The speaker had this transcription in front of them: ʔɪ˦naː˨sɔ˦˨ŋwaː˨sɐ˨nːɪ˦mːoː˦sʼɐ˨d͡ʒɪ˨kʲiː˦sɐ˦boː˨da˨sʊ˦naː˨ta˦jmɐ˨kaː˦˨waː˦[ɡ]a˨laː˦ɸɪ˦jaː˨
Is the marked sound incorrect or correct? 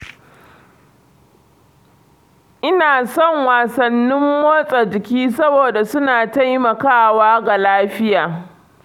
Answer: correct